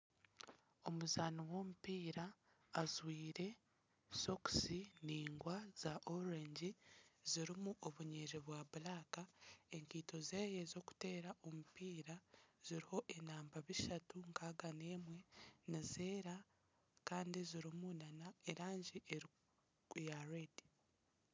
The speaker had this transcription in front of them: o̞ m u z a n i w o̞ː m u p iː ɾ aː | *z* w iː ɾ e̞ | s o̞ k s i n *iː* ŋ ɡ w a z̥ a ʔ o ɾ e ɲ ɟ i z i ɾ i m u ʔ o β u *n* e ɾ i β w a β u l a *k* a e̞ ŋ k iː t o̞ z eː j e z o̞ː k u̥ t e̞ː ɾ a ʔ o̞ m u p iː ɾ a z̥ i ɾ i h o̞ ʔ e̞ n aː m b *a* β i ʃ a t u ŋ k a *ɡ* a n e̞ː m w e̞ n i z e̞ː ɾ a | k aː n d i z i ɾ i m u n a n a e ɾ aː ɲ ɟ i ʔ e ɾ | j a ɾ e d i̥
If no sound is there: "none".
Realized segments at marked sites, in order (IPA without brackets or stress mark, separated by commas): z, iː, ɲ, k, a, ɡ